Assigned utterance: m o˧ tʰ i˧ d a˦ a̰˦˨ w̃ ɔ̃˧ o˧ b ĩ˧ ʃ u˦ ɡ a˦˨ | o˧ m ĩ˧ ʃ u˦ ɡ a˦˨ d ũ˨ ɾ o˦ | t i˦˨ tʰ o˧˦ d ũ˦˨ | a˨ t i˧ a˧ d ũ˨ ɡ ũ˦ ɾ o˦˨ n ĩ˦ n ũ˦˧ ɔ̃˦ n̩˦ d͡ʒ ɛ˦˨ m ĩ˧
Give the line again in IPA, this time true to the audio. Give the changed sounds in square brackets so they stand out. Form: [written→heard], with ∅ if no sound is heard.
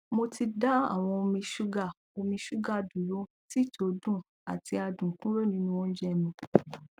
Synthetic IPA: m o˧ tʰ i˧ d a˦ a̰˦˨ w̃ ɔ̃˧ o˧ [b→m] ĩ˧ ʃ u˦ ɡ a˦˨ | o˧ m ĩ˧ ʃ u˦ ɡ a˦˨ d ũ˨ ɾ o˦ | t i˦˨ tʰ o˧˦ d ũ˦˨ | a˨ t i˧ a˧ d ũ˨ [ɡ→k] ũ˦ ɾ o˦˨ n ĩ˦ n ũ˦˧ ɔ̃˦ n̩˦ d͡ʒ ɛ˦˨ m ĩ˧

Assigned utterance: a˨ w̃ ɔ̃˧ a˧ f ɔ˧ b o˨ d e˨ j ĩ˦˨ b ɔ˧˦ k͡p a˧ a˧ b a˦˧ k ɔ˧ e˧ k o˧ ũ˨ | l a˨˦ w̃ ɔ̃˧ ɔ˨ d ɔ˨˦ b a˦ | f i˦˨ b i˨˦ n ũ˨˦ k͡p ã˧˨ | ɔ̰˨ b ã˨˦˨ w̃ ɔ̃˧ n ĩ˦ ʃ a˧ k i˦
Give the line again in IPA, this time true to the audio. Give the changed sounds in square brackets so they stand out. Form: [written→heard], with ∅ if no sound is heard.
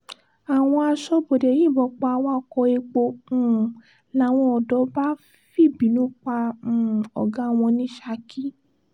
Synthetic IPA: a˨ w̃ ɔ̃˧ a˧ [f→ʃ] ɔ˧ b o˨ d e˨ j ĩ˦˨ b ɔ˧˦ k͡p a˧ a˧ [b→w] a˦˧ k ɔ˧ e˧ [k→k͡p] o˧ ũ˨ | l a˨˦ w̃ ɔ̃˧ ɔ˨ d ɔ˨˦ b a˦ | f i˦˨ b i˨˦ n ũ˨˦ k͡p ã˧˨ | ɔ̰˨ [b→ɡ] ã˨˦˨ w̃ ɔ̃˧ n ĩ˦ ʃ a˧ k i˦

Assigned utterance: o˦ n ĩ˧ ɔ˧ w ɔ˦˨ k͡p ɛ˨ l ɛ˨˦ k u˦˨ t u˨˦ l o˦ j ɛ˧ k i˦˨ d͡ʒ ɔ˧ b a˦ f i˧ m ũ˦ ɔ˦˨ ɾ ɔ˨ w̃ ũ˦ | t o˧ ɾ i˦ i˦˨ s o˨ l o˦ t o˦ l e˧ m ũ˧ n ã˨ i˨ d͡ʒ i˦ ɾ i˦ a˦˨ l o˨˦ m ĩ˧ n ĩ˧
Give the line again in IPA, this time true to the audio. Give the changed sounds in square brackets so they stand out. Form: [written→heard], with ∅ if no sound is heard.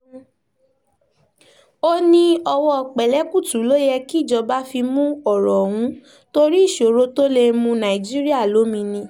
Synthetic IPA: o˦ n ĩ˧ ɔ˧ w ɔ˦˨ k͡p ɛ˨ l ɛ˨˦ k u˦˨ t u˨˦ l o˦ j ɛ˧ k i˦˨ d͡ʒ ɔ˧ b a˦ f i˧ m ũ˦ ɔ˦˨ ɾ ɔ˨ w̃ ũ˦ | t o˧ ɾ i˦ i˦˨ [s→ʃ] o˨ [l→ɾ] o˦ t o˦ l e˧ m ũ˧ n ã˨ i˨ d͡ʒ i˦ ɾ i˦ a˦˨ l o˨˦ m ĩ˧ n ĩ˧

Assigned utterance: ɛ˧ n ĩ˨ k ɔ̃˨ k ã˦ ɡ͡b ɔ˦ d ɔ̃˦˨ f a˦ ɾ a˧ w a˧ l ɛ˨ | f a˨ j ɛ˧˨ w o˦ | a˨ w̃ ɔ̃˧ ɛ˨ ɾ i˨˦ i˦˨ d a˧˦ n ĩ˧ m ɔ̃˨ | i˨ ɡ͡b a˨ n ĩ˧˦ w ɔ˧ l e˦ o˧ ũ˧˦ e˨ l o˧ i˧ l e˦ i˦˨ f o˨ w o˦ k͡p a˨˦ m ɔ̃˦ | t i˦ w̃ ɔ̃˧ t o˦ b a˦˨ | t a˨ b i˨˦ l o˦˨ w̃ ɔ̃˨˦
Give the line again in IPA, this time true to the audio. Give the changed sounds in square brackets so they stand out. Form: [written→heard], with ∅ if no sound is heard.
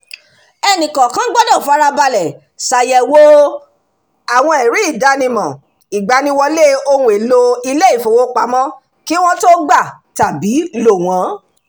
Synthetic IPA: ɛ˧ n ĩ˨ k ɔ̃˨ k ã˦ ɡ͡b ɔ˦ d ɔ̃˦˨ f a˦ ɾ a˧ [w→b] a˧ l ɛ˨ | [f→s] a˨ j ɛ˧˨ w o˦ | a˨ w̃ ɔ̃˧ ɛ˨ ɾ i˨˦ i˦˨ d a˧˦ n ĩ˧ m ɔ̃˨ | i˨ ɡ͡b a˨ n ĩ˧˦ w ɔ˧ l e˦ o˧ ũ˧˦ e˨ l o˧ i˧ l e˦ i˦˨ f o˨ w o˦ k͡p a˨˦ m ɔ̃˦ | [t→k] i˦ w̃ ɔ̃˧ t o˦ [b→ɡ͡b] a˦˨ | t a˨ b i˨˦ l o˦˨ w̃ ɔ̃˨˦

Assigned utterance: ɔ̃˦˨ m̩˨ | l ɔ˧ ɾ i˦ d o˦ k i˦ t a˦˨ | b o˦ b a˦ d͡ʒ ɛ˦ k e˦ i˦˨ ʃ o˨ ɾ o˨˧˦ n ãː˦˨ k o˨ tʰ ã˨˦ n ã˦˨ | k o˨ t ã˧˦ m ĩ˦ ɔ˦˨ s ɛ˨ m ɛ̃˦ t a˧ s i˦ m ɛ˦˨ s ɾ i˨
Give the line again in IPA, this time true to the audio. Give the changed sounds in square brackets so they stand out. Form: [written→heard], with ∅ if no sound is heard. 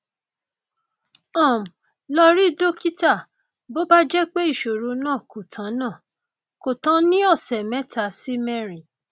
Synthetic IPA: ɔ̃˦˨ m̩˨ | l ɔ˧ ɾ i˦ d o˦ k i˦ t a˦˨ | b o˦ b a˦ d͡ʒ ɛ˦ [k→k͡p] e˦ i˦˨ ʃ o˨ ɾ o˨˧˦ n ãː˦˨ k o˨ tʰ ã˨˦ n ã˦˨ | k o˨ t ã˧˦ [m→n] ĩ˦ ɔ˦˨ s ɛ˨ m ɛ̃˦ t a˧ s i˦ m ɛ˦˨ [s→∅] ɾ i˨

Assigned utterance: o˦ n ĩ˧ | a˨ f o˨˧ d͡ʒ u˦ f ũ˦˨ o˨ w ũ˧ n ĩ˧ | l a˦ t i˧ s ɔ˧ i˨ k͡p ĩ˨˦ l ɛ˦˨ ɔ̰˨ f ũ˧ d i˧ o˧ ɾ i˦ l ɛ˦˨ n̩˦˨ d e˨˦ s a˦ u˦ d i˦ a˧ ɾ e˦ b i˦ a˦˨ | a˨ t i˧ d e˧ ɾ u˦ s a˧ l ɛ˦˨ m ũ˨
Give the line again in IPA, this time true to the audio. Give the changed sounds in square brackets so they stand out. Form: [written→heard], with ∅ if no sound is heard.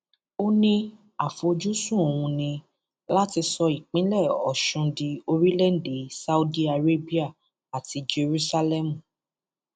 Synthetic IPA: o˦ n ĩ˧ | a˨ f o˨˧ d͡ʒ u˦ [f→s] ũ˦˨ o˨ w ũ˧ n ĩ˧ | l a˦ t i˧ s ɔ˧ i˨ k͡p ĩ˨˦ l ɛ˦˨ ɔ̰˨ [f→ʃ] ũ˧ d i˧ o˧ ɾ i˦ l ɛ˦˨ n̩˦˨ d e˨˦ s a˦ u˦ d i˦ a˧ ɾ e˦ b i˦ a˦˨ | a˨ t i˧ [d→d͡ʒ] e˧ ɾ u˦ s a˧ l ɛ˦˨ m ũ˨

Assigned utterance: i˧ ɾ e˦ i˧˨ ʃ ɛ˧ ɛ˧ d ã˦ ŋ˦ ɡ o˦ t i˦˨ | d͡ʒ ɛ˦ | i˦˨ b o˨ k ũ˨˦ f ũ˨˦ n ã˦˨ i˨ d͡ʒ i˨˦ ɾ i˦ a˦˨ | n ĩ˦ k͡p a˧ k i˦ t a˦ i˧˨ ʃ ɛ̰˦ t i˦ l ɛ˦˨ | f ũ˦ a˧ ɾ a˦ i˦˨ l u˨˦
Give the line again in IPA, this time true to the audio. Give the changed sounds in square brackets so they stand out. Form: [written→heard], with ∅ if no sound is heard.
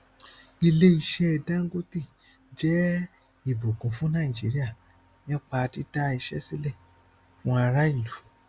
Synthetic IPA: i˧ [ɾ→l] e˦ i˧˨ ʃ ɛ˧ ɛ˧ d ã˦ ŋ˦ ɡ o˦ t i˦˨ | d͡ʒ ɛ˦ | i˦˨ b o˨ k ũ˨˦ f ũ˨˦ n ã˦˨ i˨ d͡ʒ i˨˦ ɾ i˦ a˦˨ | n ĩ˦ k͡p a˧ [k→t] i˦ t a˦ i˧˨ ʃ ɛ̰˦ [t→s] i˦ l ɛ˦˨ | f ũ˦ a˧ ɾ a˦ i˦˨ l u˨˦

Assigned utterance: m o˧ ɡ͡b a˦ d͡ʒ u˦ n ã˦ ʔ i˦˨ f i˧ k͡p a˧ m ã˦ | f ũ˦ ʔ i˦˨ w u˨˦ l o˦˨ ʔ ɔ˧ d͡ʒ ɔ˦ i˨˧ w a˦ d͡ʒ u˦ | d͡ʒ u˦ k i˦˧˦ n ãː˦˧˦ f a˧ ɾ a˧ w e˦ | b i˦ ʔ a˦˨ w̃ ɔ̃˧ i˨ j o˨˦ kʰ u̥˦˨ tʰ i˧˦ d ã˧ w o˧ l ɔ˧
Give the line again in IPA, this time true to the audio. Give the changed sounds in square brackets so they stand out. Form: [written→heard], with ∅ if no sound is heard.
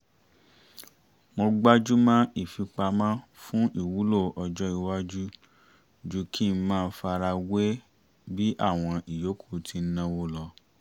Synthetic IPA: m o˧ ɡ͡b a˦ d͡ʒ u˦ [n→m] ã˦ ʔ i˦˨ f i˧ k͡p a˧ m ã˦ | f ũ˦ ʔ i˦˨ w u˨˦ l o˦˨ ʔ ɔ˧ d͡ʒ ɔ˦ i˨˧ w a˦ d͡ʒ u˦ | d͡ʒ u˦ k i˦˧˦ [n→m] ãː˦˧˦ f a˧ ɾ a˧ w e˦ | b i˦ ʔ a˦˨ w̃ ɔ̃˧ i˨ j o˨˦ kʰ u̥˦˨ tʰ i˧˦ [d→n] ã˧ w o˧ l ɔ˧

